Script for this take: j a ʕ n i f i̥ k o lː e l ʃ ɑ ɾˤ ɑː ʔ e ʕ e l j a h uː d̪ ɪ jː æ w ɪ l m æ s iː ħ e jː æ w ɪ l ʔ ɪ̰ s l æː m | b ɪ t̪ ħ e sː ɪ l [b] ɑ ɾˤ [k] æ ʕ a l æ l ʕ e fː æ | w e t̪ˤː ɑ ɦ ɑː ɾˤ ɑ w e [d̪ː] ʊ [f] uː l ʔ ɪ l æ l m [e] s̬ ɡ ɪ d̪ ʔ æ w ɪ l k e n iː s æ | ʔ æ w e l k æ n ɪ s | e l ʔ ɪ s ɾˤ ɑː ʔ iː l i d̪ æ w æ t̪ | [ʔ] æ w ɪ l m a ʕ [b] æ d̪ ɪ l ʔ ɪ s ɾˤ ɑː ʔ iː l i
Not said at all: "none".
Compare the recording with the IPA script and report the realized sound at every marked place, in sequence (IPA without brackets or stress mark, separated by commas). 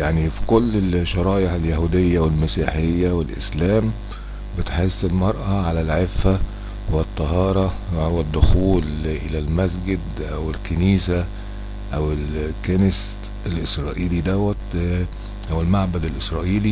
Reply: m, ʔ, d̪ː, x, æ, ʔ, b